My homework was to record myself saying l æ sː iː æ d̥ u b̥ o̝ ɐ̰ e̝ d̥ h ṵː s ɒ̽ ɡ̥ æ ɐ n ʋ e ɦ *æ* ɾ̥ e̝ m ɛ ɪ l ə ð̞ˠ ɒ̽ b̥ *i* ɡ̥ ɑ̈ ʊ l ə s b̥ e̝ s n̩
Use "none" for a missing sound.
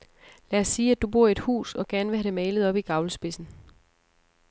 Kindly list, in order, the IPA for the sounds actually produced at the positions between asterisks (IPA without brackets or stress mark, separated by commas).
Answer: æ, i